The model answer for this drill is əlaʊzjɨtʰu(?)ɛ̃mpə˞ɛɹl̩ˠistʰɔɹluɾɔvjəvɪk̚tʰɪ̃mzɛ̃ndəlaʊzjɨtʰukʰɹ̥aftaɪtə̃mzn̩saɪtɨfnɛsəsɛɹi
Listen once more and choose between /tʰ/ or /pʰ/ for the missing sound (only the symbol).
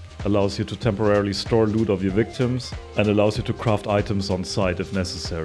tʰ